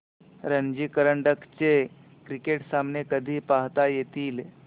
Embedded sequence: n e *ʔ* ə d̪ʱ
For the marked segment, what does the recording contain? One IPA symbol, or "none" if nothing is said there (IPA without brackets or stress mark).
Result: k